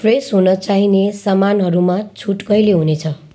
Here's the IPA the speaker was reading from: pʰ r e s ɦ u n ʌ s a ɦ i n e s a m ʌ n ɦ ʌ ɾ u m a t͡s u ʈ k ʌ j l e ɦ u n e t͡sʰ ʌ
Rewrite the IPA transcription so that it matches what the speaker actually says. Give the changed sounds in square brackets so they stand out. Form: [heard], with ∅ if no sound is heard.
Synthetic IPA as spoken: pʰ r e s ɦ u n ʌ [t͡s] a ɦ i n e s a m [a] n ɦ ʌ ɾ u m a [t͡sʰ] u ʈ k ʌ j l e ɦ u n e t͡sʰ ʌ